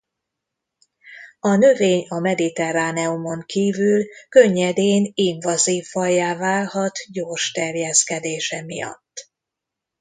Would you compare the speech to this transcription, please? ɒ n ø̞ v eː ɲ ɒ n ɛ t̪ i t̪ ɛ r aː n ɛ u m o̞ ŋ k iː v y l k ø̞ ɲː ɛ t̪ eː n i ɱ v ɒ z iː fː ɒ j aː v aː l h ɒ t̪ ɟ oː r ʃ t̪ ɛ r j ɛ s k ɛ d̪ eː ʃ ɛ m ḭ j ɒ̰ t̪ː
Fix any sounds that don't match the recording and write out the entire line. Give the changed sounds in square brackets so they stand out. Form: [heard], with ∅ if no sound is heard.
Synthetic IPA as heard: ɒ n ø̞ v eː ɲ ɒ [m] ɛ [d̪] i t̪ ɛ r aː n ɛ u m o̞ ŋ k iː v y l k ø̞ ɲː ɛ [d̪] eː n i ɱ v ɒ z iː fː ɒ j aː v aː l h ɒ t̪ ɟ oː r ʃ t̪ ɛ r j ɛ s k ɛ d̪ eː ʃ ɛ m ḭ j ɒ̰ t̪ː